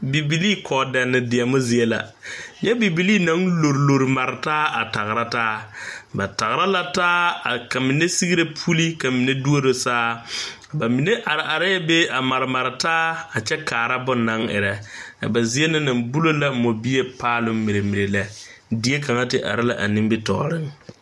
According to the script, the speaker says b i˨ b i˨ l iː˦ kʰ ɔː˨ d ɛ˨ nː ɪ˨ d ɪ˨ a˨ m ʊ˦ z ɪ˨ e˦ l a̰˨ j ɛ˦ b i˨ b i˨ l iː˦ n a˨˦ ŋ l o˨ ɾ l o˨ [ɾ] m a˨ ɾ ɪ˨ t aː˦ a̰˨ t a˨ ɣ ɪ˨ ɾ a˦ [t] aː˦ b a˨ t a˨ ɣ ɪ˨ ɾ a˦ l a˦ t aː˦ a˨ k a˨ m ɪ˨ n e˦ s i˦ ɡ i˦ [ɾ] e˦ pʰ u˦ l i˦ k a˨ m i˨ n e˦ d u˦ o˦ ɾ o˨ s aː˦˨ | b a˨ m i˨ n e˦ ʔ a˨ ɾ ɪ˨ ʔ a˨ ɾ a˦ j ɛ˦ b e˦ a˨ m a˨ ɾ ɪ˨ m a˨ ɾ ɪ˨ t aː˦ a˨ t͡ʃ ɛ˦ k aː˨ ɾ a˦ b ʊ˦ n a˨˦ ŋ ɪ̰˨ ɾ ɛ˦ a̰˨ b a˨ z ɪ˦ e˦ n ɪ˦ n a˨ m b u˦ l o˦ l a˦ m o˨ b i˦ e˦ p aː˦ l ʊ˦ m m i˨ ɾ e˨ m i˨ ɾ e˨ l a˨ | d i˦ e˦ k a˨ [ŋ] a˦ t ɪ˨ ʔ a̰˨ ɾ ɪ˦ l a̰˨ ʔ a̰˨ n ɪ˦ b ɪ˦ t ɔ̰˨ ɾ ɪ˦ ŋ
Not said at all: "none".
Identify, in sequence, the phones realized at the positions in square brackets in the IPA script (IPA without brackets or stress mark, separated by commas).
ɾ, t, ɾ, ŋ